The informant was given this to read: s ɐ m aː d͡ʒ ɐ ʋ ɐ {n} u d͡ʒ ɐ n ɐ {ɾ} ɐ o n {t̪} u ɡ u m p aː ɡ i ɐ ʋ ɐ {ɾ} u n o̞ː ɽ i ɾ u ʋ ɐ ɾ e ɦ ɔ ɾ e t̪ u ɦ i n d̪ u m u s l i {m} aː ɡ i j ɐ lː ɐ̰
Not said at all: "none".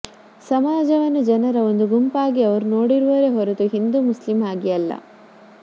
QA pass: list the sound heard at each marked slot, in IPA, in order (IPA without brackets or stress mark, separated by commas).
nː, ɾ, d̪, ɾ, m